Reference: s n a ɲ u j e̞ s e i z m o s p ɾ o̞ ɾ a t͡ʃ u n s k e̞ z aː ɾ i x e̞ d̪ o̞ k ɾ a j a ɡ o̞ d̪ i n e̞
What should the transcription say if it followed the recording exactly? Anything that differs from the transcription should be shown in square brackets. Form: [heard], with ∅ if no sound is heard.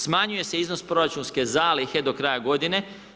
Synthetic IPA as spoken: s [m] a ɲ u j e̞ s e i z [n] o s p ɾ o̞ ɾ a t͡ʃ u n s k e̞ z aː [l] i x e̞ d̪ o̞ k ɾ a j a ɡ o̞ d̪ i n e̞